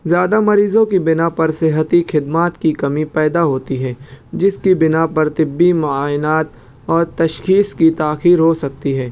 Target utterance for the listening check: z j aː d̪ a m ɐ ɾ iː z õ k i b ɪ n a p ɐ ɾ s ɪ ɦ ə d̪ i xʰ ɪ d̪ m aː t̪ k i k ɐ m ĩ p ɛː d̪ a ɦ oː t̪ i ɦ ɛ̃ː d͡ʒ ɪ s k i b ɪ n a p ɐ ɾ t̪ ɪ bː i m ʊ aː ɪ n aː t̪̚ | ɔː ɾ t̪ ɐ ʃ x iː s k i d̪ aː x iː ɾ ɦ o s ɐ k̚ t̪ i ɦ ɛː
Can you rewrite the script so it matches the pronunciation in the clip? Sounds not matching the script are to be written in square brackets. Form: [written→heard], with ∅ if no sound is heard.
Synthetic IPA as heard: z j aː d̪ a m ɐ ɾ iː z õ k i b ɪ n a p ɐ ɾ s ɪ ɦ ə [d̪→t̪] i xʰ ɪ d̪ m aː t̪ k i k ɐ m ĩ p ɛː d̪ a ɦ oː t̪ i ɦ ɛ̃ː d͡ʒ ɪ s k i b ɪ n a p ɐ ɾ t̪ ɪ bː i m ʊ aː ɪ n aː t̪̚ | ɔː ɾ t̪ ɐ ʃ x iː s k i [d̪→t̪] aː x iː ɾ ɦ o s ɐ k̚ t̪ i ɦ ɛː